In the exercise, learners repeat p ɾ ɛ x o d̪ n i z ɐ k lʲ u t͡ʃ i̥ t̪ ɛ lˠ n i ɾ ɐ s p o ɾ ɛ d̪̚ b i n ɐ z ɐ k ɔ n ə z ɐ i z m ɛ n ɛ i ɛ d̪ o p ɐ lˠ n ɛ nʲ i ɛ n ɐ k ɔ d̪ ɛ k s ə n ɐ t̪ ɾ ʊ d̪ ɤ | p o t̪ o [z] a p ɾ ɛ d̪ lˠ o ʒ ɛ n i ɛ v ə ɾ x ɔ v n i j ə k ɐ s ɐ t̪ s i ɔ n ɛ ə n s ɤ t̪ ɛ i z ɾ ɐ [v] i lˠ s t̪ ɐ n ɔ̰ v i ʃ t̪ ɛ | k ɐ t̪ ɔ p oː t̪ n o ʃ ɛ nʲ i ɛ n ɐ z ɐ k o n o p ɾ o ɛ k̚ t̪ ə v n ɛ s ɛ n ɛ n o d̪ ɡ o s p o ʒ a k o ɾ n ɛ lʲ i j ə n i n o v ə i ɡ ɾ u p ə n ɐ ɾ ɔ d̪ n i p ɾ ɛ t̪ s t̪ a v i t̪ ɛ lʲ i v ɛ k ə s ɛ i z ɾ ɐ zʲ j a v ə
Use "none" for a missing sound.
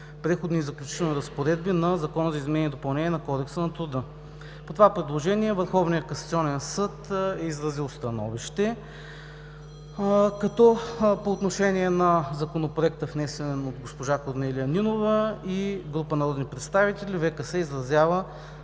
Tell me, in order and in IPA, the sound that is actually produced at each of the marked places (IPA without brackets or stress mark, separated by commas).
v, z